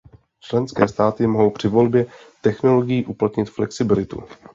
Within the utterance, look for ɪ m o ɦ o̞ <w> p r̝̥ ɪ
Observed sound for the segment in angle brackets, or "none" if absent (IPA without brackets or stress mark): w